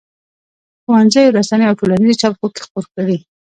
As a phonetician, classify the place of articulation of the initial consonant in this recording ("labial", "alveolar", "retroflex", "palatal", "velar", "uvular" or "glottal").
velar